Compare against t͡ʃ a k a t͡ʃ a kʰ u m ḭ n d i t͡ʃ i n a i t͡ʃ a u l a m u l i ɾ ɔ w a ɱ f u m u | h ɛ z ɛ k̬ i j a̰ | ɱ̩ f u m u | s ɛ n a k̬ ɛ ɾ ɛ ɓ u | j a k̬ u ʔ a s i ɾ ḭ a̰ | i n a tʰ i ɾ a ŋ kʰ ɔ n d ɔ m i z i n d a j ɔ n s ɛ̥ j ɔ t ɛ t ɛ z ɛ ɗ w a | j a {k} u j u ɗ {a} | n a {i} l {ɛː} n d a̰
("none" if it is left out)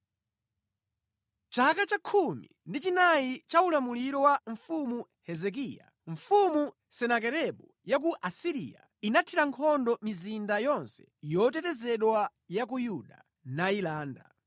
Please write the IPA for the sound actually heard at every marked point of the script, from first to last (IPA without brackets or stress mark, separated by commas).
k, a, i, aː